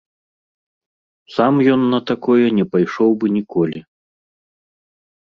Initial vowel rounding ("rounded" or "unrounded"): unrounded